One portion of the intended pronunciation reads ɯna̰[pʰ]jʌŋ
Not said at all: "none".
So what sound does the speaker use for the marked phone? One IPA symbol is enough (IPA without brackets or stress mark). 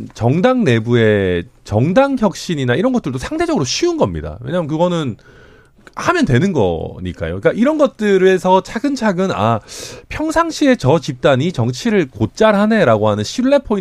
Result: pʰ